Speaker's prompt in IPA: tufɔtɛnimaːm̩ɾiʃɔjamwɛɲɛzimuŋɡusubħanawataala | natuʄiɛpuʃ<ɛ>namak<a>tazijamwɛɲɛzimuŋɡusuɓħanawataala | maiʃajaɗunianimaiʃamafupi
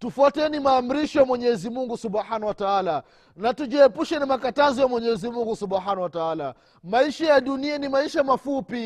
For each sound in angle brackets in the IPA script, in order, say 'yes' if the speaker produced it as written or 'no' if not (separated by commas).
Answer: yes, yes